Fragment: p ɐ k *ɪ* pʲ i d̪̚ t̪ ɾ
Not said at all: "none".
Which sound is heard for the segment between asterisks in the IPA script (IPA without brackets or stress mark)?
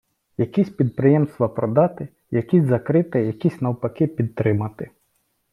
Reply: ɪ